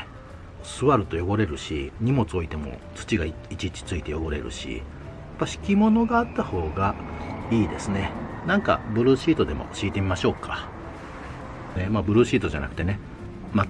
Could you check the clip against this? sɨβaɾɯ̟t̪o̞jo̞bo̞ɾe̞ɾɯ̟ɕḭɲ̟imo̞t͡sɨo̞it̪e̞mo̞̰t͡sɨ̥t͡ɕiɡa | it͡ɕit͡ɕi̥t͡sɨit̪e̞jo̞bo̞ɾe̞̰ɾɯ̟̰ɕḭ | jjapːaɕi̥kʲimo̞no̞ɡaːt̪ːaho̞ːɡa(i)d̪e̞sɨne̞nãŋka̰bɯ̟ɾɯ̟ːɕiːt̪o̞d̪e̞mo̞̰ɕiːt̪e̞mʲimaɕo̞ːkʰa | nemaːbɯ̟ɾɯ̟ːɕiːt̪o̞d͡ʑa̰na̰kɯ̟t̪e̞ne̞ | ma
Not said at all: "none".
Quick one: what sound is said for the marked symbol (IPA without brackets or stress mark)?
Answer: iː